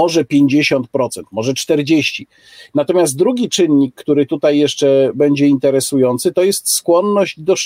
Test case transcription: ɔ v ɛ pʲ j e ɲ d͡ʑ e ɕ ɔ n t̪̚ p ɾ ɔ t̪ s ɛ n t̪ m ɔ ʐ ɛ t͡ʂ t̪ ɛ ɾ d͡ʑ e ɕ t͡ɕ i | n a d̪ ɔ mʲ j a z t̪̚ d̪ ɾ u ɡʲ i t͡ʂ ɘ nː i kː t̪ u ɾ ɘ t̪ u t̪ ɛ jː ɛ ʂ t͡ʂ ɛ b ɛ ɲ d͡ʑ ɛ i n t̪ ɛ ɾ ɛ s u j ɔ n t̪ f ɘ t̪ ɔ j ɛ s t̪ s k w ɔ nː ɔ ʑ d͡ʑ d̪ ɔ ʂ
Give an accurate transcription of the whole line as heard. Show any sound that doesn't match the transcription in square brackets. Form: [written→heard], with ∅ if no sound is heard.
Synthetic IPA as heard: ɔ [v→ʐ] ɛ pʲ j e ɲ d͡ʑ e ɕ ɔ n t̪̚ p ɾ ɔ t̪ s ɛ n t̪ m ɔ ʐ ɛ t͡ʂ t̪ ɛ ɾ d͡ʑ e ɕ t͡ɕ i | n a [d̪→t̪] ɔ mʲ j a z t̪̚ d̪ ɾ u ɡʲ i t͡ʂ ɘ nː i kː t̪ u ɾ ɘ t̪ u t̪ [ɛ→a] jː ɛ ʂ t͡ʂ ɛ b ɛ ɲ d͡ʑ ɛ i n t̪ ɛ ɾ ɛ s u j ɔ n t̪ [f→s] ɘ t̪ ɔ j ɛ s t̪ s k w ɔ nː ɔ ʑ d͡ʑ d̪ ɔ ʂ